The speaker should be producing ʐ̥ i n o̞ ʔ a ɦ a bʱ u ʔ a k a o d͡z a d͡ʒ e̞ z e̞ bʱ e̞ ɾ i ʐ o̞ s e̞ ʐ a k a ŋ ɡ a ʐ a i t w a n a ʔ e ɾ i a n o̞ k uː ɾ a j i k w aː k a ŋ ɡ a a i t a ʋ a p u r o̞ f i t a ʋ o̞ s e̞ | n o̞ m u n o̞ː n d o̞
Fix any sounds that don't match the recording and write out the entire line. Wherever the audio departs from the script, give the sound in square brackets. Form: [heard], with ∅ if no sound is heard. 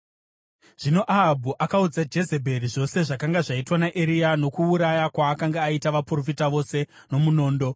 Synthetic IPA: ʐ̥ i n o̞ ʔ a ɦ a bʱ u ʔ a k a [u] d͡z a d͡ʒ e̞ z e̞ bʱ e̞ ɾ i ʐ o̞ s e̞ ʐ a k a ŋ ɡ a ʐ a i t w a n a ʔ e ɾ i a n o̞ k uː ɾ a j [a] k w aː k a ŋ ɡ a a i t a ʋ a p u r o̞ f i t a ʋ o̞ s e̞ | n o̞ m u n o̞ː n d o̞